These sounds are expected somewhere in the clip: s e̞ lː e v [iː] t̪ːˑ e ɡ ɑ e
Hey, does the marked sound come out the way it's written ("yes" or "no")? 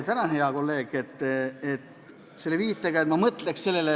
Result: yes